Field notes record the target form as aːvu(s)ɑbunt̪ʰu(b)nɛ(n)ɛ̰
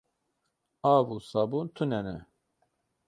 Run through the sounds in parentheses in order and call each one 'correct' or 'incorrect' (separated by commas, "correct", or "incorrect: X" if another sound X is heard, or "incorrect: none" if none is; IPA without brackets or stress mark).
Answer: correct, incorrect: none, correct